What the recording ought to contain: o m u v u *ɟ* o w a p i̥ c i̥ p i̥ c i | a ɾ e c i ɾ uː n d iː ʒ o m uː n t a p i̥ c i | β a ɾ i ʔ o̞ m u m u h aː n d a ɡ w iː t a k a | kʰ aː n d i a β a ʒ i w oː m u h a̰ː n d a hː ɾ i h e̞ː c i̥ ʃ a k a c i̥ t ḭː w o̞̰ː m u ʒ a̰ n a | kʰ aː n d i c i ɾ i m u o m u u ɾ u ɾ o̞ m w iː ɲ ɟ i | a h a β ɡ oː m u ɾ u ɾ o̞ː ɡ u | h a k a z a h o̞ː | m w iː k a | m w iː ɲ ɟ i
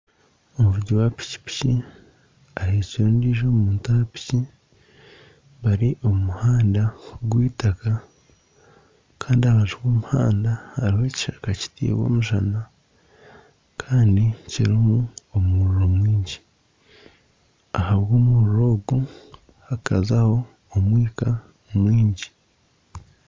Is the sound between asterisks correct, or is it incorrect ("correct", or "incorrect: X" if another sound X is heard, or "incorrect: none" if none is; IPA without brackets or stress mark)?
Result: correct